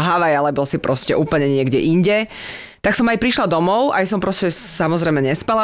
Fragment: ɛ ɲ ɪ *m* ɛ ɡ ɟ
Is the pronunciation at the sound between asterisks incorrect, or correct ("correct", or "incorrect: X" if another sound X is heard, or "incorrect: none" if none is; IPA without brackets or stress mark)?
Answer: incorrect: none